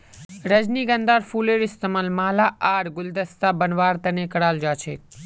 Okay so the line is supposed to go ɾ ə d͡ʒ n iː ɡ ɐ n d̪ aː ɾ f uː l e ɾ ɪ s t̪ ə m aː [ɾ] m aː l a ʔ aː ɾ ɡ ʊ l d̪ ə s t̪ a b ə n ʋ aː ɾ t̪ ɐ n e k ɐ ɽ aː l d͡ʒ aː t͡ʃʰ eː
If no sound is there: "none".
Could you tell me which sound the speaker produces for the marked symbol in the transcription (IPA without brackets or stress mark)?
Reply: l